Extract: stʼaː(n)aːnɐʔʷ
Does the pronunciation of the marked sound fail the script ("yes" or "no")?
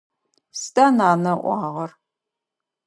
no